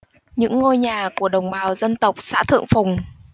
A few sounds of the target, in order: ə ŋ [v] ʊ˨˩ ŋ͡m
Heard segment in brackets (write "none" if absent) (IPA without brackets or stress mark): f